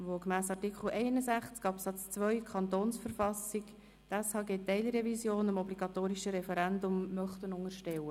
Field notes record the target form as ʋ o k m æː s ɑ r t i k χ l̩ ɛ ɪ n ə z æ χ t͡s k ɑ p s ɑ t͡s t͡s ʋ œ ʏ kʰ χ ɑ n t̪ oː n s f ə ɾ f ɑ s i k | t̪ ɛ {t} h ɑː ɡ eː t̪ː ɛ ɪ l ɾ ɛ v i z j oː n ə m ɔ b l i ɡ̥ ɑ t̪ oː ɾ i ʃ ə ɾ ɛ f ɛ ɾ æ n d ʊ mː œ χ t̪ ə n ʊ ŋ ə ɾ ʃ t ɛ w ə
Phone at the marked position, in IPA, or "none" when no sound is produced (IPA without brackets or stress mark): s